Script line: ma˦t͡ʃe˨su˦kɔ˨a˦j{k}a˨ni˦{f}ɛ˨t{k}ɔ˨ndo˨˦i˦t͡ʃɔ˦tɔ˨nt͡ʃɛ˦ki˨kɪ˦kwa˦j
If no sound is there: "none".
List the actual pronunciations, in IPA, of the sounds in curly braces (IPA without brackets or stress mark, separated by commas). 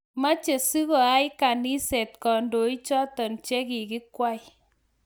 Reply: k, s, k